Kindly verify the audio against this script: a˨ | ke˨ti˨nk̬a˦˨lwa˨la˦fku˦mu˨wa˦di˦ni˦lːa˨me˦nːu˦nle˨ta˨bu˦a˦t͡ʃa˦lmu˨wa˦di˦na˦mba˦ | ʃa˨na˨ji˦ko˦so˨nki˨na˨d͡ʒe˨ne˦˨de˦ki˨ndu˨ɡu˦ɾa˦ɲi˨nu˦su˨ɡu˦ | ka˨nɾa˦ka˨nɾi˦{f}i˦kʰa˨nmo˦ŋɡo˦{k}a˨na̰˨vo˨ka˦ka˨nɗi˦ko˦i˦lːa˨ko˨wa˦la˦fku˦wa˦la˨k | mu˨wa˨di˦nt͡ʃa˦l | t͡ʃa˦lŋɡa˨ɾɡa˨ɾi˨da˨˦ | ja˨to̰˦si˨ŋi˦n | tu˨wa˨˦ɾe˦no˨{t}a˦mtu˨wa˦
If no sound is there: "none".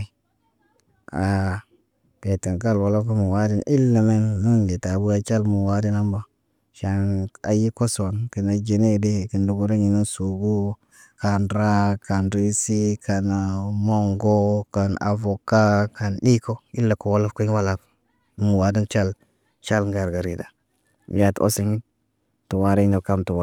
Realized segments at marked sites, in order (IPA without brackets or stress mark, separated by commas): s, k, k